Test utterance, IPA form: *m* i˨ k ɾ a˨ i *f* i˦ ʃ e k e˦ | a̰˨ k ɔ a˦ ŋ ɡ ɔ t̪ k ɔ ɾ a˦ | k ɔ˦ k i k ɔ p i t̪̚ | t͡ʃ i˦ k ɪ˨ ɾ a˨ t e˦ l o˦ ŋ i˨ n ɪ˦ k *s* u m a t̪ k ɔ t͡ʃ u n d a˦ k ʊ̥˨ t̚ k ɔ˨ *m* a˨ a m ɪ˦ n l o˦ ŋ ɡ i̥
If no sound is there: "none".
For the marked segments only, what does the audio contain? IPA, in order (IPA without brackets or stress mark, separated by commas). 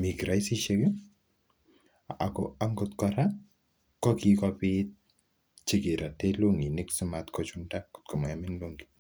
m, s, s, m